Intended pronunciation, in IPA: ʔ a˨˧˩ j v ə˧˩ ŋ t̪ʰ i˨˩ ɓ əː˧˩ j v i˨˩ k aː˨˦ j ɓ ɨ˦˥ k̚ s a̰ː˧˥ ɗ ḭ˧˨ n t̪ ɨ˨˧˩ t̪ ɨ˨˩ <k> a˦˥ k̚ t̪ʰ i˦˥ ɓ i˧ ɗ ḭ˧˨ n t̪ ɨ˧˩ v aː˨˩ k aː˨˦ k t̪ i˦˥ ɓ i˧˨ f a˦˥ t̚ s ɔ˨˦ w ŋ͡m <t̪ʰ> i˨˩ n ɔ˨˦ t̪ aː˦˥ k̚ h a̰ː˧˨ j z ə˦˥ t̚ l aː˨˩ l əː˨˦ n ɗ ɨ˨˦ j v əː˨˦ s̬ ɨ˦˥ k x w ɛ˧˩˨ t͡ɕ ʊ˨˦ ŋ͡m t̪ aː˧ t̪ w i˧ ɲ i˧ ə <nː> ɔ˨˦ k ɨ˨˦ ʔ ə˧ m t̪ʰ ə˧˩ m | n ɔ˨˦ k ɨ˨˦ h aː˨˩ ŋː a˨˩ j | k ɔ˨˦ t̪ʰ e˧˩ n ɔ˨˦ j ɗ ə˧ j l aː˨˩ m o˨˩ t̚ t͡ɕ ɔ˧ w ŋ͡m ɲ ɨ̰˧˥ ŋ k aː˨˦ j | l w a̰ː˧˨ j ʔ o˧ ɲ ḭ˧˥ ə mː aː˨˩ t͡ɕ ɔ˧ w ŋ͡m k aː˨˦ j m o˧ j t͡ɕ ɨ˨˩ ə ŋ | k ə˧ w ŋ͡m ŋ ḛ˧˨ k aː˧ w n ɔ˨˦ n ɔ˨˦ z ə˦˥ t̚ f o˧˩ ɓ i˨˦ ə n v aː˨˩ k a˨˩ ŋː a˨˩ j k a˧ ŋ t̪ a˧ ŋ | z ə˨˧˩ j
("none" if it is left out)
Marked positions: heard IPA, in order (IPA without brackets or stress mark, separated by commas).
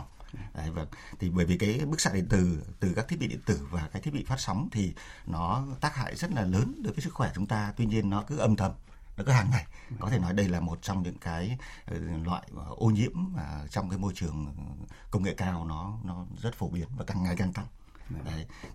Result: k, t̪ʰ, nː